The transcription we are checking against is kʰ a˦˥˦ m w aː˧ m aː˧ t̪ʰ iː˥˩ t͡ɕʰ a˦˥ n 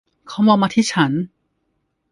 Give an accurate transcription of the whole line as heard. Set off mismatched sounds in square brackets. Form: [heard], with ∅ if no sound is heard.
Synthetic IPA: kʰ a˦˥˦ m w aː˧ m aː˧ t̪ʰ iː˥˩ t͡ɕʰ a˦˥ n